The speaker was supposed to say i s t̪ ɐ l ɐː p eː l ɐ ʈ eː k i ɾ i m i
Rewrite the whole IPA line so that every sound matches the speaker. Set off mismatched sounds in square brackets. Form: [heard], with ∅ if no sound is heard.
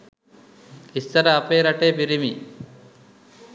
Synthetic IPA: i s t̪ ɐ [ɾ] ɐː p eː [ɾ] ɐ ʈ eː [p] i ɾ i m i